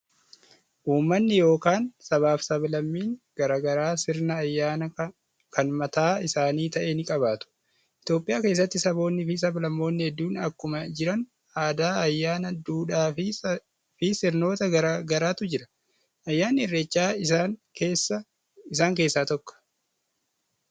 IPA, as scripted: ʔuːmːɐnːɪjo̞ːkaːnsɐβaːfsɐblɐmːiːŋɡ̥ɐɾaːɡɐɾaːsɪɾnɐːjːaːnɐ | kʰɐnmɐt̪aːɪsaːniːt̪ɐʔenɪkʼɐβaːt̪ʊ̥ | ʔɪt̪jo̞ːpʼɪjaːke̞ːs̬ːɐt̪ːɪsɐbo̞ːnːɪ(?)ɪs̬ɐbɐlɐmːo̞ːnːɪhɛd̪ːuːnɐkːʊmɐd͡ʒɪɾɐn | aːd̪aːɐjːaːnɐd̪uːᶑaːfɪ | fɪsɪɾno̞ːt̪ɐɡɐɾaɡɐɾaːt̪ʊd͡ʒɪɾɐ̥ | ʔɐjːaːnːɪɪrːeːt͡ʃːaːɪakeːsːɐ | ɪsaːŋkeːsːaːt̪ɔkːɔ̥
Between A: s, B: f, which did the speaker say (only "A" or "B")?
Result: B